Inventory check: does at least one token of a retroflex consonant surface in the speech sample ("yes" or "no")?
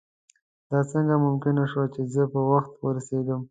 no